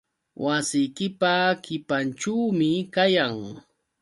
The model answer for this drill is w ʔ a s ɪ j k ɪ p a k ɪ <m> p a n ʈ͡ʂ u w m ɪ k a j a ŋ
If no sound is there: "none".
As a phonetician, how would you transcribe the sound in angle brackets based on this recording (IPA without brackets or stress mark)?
none